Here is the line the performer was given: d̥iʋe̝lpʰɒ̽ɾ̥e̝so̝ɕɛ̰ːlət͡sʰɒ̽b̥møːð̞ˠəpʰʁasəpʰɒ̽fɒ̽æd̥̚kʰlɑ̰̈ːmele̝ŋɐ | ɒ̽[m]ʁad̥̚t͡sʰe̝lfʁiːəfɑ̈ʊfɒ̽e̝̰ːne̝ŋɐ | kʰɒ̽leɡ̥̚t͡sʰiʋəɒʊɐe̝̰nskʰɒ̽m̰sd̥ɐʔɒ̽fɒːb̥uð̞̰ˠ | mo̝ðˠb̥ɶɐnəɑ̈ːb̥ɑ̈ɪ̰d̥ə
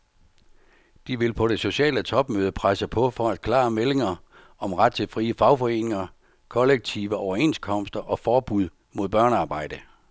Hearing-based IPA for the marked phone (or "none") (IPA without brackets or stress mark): m